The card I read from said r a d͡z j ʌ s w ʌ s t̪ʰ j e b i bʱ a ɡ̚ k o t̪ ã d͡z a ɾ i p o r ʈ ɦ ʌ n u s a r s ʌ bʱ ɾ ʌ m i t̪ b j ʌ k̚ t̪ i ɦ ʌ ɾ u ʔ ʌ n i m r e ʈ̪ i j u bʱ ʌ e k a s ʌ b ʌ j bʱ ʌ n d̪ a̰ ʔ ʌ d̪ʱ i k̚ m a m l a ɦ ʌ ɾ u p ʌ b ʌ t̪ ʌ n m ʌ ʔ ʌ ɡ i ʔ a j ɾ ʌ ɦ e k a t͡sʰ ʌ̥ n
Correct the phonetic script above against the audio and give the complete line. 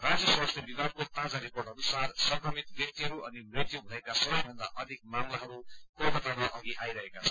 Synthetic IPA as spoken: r a d͡z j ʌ s w a s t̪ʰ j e b i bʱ a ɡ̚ k o t̪ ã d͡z a ɾ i p o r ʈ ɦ ʌ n u s a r s ʌ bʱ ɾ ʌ m i t̪ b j ʌ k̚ t̪ i ɦ ʌ ɾ u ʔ ʌ n i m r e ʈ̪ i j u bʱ ʌ e k a s ʌ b ʌ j bʱ ʌ n d̪ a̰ ʔ ʌ d̪ʱ i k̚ m a m l a ɦ ʌ ɾ u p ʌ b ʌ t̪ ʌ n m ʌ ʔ ʌ ɡ i ʔ a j ɾ ʌ ɦ e k a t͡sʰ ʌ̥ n